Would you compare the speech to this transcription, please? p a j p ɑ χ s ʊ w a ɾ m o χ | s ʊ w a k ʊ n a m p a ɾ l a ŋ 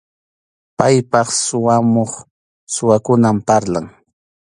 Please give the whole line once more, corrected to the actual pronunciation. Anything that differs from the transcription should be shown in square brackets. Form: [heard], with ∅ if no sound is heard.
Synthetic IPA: p a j p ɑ χ s ʊ w a [∅] m o χ | s ʊ w a k ʊ n a m p a ɾ l a ŋ

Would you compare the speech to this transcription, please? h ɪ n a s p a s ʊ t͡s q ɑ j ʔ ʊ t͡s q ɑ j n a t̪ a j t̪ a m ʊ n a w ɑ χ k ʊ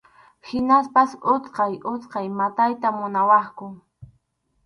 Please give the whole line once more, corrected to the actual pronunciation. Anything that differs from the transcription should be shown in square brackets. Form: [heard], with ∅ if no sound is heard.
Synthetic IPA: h ɪ n a s p a s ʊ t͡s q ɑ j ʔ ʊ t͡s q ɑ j [m] a t̪ a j t̪ a m ʊ n a w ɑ χ k ʊ

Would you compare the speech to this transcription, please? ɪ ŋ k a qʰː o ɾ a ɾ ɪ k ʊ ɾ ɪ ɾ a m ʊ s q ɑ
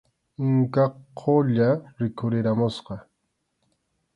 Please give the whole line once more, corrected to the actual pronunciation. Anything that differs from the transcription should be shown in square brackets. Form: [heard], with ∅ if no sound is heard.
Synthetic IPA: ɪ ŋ k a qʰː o [ʎ] a ɾ ɪ k ʊ ɾ ɪ ɾ a m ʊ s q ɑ

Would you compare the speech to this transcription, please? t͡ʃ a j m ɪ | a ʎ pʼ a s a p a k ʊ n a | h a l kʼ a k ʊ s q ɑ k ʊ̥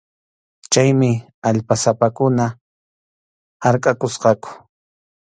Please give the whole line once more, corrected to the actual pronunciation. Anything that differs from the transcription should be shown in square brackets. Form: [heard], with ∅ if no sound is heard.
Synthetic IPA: t͡ʃ a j m ɪ | a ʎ [p] a s a p a k ʊ n a | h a [ɾ] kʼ a k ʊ s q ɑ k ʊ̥

